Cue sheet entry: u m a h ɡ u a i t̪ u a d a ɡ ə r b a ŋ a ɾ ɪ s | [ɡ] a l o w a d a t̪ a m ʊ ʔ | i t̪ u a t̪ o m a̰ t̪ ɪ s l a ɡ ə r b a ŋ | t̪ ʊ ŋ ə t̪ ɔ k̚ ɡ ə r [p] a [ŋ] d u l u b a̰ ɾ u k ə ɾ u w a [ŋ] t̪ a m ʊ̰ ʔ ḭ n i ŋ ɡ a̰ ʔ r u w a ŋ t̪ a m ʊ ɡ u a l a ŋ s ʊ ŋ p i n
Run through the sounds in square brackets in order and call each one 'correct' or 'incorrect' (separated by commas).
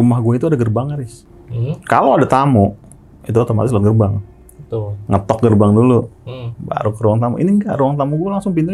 incorrect, incorrect, correct, correct